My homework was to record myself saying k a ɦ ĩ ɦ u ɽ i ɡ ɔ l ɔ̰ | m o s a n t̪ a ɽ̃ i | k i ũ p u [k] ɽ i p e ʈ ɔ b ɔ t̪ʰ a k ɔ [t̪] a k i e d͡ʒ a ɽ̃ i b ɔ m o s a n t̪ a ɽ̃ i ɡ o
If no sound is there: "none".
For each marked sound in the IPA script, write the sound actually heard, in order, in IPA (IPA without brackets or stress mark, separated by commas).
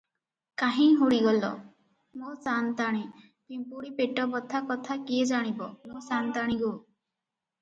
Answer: none, t̪ʰ